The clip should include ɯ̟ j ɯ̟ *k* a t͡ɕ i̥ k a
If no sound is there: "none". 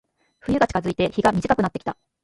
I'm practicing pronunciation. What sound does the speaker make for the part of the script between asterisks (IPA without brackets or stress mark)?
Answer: ɡ